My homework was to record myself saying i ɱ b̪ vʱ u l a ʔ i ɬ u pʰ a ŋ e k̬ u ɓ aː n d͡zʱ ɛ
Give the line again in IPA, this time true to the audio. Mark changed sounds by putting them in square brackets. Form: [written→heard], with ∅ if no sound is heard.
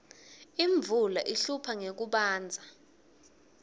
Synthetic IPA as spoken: i ɱ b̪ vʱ u l a ʔ i ɬ u pʰ a ŋ e k̬ u ɓ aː n d͡zʱ [ɛ→a]